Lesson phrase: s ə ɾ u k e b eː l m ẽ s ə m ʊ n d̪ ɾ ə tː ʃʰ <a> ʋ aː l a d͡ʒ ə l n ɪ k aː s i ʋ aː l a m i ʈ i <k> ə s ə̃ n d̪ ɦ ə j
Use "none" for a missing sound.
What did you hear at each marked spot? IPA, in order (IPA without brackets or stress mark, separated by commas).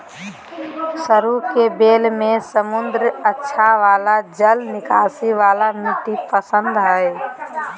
a, p